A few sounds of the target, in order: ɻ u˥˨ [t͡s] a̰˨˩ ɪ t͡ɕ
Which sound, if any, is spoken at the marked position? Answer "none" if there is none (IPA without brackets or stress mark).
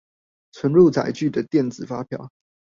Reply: t͡s